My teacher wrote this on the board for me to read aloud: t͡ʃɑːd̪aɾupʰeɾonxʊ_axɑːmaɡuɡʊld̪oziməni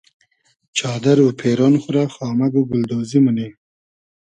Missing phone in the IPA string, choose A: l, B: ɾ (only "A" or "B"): B